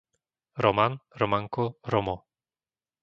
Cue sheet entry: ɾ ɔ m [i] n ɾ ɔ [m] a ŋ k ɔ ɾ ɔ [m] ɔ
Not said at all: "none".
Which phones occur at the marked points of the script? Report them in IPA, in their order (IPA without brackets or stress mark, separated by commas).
a, m, m